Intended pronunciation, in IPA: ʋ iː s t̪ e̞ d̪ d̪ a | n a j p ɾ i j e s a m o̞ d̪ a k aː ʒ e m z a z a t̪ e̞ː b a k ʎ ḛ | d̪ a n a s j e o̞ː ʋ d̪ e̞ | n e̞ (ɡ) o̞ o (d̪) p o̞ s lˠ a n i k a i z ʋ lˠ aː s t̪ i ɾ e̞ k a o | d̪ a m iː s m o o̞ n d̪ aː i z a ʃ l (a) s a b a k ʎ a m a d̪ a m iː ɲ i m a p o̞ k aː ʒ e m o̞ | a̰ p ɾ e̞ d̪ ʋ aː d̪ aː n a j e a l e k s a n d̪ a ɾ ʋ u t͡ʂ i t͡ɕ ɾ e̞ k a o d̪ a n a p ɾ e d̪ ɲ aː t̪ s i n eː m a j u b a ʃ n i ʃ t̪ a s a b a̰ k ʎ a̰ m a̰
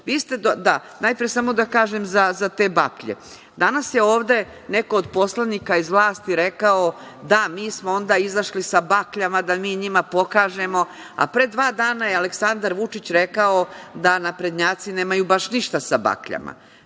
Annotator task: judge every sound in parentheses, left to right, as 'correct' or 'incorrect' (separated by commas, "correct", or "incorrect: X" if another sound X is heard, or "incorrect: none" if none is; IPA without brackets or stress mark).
incorrect: k, correct, incorrect: i